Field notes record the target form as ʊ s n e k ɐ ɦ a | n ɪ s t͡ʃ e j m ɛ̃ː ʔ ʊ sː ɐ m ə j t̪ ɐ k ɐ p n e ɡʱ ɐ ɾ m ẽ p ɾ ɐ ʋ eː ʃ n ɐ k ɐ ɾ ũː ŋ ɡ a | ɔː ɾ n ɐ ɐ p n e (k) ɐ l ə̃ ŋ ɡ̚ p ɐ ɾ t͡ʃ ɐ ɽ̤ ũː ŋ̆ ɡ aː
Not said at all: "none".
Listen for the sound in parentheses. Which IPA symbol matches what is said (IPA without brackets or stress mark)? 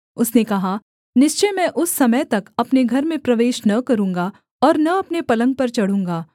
p